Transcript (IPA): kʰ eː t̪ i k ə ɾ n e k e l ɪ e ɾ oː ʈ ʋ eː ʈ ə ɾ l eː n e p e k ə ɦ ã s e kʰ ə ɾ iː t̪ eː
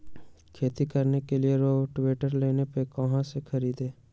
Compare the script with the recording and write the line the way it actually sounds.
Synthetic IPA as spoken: kʰ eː t̪ i k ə ɾ n e k e l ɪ e ɾ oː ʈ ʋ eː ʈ ə ɾ l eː n e p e k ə ɦ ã s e kʰ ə ɾ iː d̪ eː

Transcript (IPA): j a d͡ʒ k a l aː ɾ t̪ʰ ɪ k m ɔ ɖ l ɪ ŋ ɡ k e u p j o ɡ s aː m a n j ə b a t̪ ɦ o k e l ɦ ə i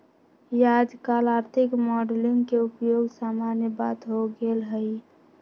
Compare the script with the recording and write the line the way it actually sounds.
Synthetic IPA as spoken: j a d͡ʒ k a l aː ɾ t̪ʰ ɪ k m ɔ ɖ l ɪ ŋ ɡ k e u p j o ɡ s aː m a n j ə b a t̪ ɦ o ɡ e l ɦ ə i

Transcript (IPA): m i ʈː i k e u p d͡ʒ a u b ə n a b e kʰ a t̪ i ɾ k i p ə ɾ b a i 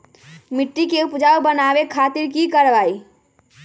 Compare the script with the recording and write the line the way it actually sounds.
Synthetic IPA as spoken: m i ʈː i k e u p d͡ʒ a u b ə n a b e kʰ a t̪ i ɾ k i k ə ɾ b a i

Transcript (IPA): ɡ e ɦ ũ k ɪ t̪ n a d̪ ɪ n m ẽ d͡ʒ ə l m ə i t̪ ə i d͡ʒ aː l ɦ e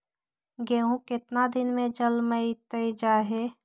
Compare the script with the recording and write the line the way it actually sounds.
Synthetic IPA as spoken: ɡ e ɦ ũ k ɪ t̪ n a d̪ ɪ n m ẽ d͡ʒ ə l m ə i t̪ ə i d͡ʒ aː ɦ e

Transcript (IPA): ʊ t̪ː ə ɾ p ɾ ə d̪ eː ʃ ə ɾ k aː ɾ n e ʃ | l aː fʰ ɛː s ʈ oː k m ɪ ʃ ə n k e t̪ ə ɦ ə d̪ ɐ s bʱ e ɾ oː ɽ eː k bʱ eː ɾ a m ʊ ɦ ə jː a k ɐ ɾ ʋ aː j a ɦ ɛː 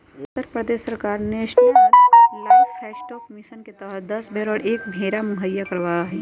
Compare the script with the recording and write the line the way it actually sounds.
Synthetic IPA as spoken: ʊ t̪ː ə ɾ p ɾ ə d̪ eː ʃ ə ɾ k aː ɾ n e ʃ | l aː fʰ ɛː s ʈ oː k m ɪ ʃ ə n k e t̪ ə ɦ ə d̪ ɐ s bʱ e ɾ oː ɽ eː k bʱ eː ɾ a m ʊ ɦ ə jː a k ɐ ɾ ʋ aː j a ɦ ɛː

